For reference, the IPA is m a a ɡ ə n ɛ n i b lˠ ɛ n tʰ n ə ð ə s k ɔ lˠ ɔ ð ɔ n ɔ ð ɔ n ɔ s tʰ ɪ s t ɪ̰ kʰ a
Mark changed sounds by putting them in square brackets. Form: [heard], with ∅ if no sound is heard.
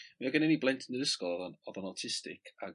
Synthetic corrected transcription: m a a ɡ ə n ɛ n i b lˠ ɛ n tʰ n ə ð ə s k ɔ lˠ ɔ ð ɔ n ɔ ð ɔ n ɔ [∅] tʰ ɪ s t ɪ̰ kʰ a

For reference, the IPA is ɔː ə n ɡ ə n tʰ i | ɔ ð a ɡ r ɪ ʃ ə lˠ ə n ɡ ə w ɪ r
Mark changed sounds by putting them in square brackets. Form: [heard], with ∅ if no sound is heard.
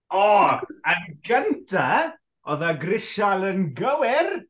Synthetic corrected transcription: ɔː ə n ɡ ə n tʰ [a] | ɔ ð a ɡ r ɪ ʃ [a] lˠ ə n ɡ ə w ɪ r

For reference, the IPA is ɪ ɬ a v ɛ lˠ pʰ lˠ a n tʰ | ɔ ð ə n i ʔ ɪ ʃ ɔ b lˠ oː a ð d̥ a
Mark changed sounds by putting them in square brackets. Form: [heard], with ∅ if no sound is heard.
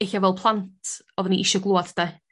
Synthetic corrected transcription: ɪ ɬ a v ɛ lˠ pʰ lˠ a n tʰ | ɔ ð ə n i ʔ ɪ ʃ ɔ [ɡ] lˠ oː a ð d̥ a

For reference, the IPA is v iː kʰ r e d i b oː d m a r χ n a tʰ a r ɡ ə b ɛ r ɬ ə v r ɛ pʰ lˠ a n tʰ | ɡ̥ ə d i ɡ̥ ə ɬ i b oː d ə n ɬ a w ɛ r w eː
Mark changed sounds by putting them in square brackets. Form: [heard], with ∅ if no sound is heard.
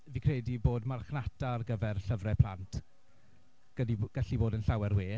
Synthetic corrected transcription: v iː kʰ r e d i b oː d m a r χ n a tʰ a r ɡ ə [v] ɛ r ɬ ə v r ɛ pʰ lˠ a n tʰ | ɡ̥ ə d i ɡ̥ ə ɬ i b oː d ə n ɬ a w ɛ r w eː

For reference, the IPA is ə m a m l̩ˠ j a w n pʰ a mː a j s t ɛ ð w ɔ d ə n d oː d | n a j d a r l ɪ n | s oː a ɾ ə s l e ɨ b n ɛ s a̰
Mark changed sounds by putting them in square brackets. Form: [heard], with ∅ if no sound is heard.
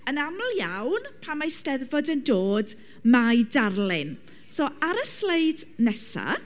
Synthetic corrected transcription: ə [n] a m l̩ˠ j a w n pʰ a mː a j s t ɛ ð [v] ɔ d ə n d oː d | [m] a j d a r l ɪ n | s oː a ɾ ə s l e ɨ [d] n ɛ s a̰

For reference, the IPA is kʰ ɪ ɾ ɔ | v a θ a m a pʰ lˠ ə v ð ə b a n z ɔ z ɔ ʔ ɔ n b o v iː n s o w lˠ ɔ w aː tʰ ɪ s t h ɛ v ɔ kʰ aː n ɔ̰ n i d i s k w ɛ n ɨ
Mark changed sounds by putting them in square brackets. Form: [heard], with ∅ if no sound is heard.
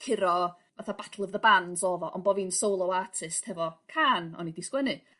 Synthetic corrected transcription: kʰ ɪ ɾ ɔ | v a θ a [b] a [tʰ] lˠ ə v ð ə b a n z ɔ [v] ɔ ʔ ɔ n b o v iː n s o w lˠ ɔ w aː tʰ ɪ s t h ɛ v ɔ kʰ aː n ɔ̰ n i d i s k w ɛ n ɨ

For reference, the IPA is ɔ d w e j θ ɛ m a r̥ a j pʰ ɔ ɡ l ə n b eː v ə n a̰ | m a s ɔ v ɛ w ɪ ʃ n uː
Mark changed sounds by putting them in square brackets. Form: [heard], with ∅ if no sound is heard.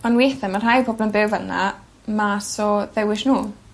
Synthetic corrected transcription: ɔ [n] w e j θ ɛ m a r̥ a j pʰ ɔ [b] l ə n b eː v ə n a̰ | m a s ɔ [ð] ɛ w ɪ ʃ n uː

